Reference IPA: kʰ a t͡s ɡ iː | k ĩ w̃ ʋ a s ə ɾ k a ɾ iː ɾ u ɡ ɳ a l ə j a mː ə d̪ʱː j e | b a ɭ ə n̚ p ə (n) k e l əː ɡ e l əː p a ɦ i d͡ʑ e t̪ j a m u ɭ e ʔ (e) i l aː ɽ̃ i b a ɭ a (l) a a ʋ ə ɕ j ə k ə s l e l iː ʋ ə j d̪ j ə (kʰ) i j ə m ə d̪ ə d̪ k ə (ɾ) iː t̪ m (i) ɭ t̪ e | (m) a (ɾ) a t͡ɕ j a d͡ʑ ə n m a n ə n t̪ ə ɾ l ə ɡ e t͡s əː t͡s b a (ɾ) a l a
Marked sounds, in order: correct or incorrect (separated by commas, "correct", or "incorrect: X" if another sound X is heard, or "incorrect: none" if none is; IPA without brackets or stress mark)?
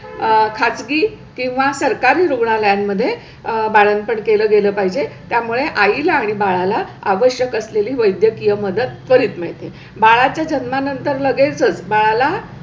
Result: incorrect: ɳ, incorrect: a, correct, incorrect: k, correct, incorrect: e, incorrect: b, incorrect: ɭ, incorrect: ɭ